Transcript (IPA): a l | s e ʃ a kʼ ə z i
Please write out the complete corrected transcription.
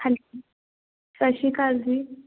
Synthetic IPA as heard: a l | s a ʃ i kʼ a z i